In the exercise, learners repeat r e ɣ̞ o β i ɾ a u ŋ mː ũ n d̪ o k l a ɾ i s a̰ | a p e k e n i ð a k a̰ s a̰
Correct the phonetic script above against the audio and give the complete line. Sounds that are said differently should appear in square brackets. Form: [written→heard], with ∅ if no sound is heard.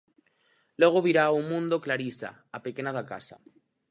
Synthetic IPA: [r→l] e ɣ̞ o β i ɾ a u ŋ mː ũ n d̪ o k l a ɾ i s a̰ | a p e k e n [i→a] ð a k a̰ s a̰